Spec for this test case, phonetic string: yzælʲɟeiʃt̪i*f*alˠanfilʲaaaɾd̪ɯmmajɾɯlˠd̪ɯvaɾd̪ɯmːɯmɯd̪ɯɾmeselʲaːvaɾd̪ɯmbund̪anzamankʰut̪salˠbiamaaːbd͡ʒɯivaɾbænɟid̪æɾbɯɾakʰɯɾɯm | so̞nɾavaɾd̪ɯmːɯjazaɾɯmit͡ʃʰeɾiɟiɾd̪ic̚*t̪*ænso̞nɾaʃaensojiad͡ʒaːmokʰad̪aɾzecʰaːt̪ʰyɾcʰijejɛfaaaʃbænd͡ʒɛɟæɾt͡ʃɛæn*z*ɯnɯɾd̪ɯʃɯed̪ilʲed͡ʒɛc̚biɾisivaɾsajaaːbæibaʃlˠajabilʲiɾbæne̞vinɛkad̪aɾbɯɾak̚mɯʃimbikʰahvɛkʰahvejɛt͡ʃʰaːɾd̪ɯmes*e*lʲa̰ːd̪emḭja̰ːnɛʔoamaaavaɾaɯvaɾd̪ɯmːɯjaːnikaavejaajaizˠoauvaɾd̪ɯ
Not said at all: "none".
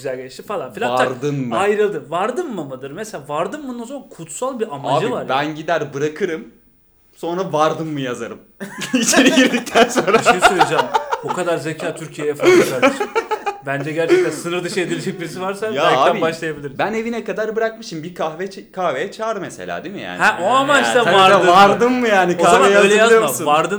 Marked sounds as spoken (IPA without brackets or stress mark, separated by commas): f, t̪ʰ, s, e